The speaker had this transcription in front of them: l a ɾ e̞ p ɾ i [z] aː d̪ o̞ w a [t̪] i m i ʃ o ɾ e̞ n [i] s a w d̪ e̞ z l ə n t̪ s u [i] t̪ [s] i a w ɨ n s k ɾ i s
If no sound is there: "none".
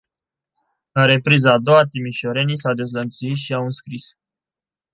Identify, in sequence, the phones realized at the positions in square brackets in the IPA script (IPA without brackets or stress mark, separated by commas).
z, t̪, i, i, ʃ